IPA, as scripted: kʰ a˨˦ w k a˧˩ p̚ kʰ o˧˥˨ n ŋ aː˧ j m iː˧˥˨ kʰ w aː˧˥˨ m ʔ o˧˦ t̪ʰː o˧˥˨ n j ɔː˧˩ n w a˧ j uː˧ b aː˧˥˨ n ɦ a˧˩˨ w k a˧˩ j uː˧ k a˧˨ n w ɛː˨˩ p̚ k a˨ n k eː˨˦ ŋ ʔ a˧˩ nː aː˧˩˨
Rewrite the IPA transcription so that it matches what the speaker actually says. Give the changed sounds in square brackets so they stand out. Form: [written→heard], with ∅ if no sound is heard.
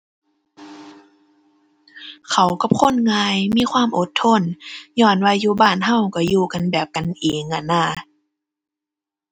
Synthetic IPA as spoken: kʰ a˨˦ w k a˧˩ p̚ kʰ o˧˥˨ n ŋ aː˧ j m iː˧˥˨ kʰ w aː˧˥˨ m ʔ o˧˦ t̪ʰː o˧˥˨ n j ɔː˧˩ n w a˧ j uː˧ b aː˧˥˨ n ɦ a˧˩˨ w k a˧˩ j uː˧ k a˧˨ n [w→b] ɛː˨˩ p̚ k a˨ n [k→ʔ] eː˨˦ ŋ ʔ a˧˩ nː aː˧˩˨